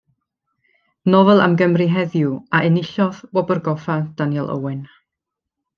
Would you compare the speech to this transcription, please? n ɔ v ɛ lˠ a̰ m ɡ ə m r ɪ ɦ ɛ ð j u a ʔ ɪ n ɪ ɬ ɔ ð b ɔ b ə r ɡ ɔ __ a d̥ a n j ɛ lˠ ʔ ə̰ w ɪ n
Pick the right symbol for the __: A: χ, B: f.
B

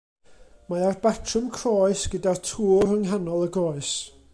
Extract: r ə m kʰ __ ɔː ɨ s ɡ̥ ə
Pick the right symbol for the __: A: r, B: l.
A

